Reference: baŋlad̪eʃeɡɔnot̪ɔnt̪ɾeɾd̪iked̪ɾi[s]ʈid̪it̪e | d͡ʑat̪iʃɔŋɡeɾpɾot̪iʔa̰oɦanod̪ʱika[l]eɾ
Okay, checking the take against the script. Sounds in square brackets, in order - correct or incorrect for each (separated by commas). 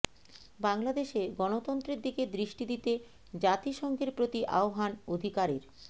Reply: incorrect, incorrect